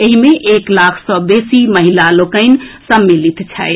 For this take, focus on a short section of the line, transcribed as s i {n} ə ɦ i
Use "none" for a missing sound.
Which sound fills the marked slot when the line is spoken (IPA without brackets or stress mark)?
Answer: m